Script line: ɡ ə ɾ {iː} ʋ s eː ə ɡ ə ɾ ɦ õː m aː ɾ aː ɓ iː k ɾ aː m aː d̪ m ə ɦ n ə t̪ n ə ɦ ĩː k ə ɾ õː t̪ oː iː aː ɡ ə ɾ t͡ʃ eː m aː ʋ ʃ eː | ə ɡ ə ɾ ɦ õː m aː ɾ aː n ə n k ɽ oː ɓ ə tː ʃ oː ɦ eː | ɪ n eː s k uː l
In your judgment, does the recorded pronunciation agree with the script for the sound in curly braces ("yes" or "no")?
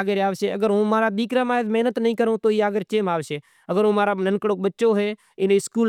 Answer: no